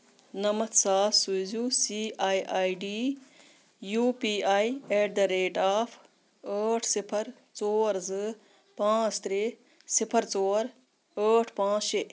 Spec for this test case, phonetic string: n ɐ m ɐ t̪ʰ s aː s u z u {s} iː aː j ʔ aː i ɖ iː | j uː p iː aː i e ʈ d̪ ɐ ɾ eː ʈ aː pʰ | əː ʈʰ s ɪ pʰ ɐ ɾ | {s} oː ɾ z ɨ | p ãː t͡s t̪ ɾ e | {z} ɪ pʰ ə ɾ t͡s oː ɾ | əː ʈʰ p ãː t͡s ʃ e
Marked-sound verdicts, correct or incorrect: correct, incorrect: t͡s, incorrect: s

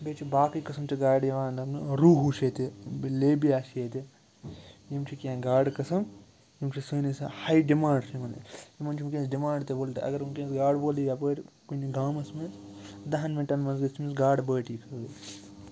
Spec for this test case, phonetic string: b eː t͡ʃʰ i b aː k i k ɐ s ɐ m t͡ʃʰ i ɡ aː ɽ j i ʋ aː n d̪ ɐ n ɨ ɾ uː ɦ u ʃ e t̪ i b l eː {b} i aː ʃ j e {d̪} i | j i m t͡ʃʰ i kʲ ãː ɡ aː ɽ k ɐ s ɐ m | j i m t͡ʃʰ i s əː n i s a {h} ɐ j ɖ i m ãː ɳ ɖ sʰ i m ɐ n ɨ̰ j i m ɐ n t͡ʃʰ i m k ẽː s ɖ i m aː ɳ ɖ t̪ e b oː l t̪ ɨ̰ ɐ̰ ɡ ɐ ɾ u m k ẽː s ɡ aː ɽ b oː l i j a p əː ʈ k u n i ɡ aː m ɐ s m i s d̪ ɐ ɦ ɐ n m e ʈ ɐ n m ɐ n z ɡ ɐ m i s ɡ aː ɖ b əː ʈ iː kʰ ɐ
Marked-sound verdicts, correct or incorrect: correct, incorrect: t̪, correct

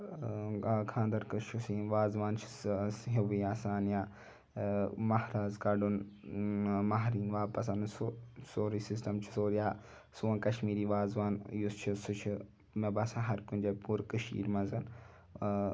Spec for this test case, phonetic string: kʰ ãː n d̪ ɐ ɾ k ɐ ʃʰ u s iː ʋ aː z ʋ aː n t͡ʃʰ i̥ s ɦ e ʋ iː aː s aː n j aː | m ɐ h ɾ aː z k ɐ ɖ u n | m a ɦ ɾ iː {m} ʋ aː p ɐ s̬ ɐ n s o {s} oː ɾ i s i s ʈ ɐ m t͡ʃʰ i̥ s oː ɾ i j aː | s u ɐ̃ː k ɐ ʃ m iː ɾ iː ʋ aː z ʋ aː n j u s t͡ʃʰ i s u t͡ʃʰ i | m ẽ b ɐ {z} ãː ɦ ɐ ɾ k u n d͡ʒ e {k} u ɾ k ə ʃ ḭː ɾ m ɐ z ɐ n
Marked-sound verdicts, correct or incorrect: incorrect: n, correct, incorrect: s, incorrect: p

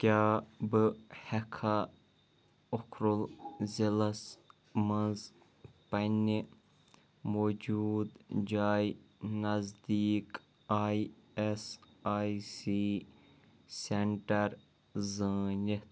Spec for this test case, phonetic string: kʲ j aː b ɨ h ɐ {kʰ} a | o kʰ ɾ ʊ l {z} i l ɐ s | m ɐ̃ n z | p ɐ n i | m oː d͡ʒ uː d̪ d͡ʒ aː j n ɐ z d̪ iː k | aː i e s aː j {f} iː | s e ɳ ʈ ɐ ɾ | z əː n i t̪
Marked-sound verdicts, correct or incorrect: correct, correct, incorrect: s

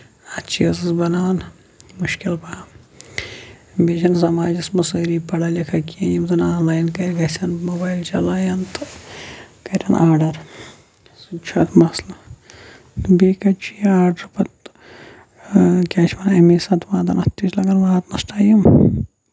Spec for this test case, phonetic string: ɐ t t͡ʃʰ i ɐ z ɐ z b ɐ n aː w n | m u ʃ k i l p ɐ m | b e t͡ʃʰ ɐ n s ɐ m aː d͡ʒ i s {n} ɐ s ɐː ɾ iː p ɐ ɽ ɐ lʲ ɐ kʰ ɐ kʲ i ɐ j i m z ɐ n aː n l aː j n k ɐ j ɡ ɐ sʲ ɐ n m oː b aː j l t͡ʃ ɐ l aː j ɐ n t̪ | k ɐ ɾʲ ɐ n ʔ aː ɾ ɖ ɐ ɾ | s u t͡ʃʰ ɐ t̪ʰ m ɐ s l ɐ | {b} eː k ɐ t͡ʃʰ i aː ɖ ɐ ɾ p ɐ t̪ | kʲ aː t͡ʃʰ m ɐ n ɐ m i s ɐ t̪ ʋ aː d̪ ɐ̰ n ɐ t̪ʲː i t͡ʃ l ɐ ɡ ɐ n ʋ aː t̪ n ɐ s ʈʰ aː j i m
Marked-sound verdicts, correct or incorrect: incorrect: m, correct

